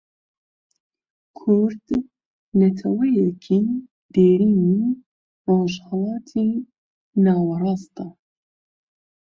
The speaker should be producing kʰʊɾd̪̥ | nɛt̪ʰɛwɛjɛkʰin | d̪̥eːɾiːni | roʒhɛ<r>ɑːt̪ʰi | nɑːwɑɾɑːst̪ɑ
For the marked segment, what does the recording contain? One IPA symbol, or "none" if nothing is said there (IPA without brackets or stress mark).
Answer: l